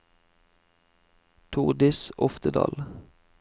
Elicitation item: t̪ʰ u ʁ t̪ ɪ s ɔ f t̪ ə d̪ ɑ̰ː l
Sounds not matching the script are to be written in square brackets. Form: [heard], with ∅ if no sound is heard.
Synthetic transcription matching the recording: t̪ʰ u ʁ [d̪] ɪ s ɔ f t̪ ə d̪ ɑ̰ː l